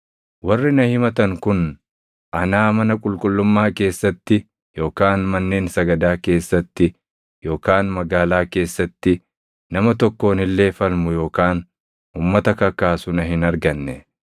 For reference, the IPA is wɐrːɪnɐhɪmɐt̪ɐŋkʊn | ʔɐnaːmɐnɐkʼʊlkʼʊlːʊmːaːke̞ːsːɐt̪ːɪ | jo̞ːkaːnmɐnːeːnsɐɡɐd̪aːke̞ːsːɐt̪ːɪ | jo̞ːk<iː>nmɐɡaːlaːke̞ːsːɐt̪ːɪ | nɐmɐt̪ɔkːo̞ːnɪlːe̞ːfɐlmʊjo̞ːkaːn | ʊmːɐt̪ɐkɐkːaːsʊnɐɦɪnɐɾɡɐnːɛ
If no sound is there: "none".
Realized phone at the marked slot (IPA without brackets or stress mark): aː